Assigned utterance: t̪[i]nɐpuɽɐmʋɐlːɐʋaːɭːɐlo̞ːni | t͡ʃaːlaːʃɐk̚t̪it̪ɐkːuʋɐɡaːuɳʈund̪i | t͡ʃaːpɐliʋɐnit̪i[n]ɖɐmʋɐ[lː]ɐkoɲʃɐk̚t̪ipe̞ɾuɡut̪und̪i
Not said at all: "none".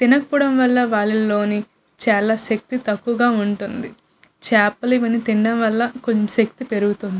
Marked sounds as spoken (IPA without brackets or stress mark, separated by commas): i, ɳ, lː